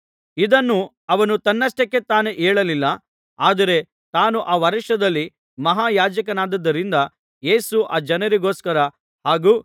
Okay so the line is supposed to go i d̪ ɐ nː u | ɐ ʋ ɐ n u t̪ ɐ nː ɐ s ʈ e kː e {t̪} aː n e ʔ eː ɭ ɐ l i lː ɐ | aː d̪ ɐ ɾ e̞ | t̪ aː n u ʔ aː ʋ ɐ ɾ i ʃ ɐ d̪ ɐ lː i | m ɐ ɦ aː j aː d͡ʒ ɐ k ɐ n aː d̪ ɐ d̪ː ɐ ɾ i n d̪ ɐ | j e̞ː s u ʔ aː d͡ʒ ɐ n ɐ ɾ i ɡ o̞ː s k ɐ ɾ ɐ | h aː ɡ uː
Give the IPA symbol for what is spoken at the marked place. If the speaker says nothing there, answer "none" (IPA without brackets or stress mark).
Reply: t̪